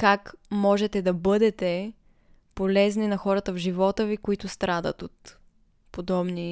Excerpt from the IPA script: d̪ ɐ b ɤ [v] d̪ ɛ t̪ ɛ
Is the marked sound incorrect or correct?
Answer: incorrect